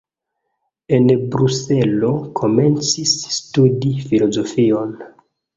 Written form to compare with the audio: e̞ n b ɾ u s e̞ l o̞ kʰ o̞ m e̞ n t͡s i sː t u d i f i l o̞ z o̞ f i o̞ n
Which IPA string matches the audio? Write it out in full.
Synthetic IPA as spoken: e̞ n b ɾ u s e̞ l o̞ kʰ o̞ m e̞ n t͡s i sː t u d i f i l o̞ z o̞ f i o̞ n